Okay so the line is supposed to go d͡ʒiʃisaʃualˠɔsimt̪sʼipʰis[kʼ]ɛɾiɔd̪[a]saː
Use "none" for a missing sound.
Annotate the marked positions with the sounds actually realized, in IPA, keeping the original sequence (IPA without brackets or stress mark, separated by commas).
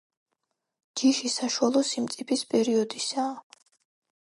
pʼ, i